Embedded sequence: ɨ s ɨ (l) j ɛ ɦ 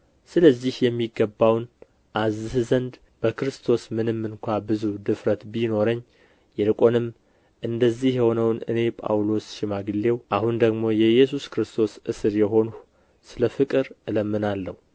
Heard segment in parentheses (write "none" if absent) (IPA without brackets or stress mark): ɾ